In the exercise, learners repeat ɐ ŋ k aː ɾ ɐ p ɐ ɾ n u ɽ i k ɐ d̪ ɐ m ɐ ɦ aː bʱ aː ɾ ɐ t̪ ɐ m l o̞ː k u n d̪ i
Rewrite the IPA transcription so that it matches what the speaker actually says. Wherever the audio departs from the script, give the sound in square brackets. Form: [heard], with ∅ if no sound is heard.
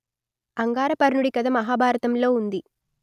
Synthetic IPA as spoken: ɐ ŋ [ɡ] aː ɾ ɐ p ɐ ɾ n u ɽ i k ɐ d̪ ɐ m ɐ ɦ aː bʱ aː ɾ ɐ t̪ ɐ m l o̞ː [∅] u n d̪ i